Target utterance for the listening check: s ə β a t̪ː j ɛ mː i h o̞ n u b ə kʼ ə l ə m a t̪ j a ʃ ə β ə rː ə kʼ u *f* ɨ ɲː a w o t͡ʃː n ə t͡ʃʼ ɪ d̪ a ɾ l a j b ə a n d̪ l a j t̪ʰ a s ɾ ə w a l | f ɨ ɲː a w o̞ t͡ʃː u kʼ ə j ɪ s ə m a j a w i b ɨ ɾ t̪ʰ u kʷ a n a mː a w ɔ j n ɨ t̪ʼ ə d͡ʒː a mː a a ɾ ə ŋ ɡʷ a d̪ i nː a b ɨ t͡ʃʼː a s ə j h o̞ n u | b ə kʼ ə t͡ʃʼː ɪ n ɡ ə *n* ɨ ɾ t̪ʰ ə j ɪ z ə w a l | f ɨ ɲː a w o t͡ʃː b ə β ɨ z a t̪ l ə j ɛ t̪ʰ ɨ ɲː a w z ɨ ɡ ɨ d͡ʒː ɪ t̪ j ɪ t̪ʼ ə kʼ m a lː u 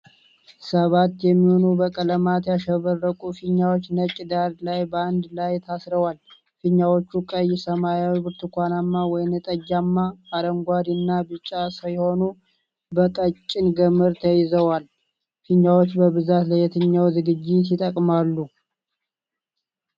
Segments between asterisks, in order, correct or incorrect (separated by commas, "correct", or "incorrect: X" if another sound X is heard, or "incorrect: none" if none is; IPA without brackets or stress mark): correct, incorrect: m